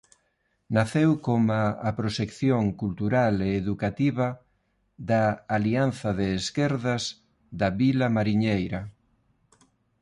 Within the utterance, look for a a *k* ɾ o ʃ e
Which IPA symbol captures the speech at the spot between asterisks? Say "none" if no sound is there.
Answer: p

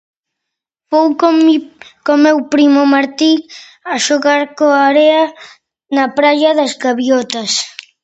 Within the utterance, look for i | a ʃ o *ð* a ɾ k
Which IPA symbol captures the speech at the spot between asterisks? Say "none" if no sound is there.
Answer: ɣ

